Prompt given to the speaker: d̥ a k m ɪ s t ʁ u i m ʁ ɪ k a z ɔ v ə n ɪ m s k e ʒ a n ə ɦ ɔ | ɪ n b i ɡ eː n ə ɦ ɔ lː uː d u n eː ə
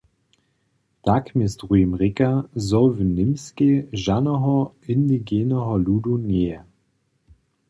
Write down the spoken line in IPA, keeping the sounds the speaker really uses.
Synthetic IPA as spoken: d̥ a k m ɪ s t ʁ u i m ʁ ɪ k a z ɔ v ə n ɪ m s k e ʒ a n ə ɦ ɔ | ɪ n d i ɡ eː n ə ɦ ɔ l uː d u n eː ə